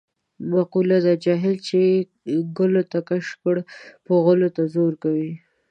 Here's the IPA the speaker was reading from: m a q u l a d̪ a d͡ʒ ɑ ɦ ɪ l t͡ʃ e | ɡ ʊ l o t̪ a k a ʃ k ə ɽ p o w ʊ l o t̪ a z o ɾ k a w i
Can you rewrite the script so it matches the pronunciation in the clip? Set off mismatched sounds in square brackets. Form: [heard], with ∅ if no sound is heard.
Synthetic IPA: m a q u l a d̪ a d͡ʒ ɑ ɦ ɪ l t͡ʃ e | ɡ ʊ l o t̪ a k a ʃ k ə ɽ p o [ɣ] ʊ l o t̪ a z o ɾ k a w i